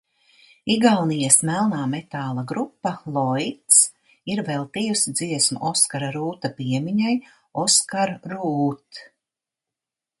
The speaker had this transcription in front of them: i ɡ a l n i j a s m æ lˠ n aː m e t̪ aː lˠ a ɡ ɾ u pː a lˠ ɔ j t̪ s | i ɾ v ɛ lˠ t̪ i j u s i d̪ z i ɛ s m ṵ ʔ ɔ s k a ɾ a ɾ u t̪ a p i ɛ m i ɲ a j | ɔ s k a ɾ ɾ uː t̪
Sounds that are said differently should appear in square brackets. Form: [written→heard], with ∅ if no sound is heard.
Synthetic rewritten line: i ɡ a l n i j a s m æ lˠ n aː m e t̪ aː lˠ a ɡ ɾ u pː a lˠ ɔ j t̪ s | i ɾ v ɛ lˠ t̪ i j u s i d̪ z i ɛ s m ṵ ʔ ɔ s k a ɾ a ɾ [u→uː] t̪ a p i ɛ m i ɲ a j | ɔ s k a ɾ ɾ uː t̪